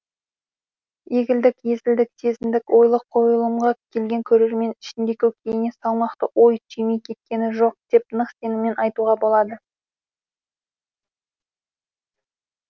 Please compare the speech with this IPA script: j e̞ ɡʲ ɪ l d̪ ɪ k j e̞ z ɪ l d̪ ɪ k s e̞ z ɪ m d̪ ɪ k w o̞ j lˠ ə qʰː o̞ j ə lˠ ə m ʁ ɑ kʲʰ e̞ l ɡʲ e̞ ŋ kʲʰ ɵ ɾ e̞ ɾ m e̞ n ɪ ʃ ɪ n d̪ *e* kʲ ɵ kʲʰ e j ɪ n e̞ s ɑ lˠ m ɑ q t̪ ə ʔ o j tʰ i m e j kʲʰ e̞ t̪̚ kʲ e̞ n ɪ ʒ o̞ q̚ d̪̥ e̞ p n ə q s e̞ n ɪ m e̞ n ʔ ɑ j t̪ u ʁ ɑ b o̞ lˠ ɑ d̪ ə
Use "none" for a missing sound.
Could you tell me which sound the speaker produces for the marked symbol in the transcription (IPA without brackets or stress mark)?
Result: e